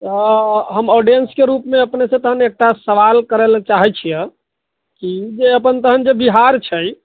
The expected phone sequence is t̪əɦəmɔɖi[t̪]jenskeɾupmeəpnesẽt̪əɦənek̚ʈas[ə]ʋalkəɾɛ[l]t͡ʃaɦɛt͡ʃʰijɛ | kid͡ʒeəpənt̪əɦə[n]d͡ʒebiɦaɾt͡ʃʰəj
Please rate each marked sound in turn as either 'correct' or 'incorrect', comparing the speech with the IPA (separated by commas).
incorrect, correct, correct, correct